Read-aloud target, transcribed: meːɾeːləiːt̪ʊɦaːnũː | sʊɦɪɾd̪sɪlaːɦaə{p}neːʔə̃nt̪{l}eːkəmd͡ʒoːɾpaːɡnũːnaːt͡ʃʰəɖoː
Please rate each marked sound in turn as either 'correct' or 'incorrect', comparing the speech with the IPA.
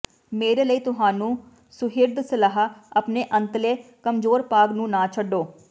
correct, correct

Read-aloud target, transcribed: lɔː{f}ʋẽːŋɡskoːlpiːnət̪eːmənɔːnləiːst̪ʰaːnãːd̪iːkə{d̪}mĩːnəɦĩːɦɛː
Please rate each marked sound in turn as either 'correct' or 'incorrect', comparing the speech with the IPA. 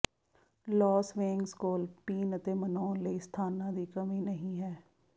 incorrect, incorrect

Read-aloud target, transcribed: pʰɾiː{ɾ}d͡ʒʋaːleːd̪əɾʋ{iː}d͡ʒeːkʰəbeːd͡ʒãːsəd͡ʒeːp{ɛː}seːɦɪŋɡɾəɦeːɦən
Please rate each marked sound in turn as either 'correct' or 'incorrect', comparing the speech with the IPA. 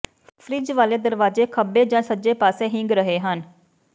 incorrect, incorrect, incorrect

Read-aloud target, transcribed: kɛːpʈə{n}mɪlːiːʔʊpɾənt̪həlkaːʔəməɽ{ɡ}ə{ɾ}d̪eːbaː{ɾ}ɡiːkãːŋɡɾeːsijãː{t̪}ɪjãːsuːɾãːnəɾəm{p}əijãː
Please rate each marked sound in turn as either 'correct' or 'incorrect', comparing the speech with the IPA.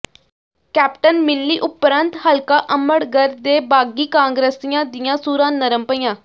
correct, correct, correct, incorrect, incorrect, correct

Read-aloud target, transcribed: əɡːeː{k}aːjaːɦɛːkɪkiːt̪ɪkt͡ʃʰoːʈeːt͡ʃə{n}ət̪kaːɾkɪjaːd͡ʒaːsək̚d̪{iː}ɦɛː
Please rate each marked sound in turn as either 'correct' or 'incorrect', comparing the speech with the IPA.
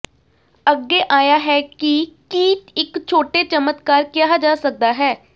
incorrect, incorrect, incorrect

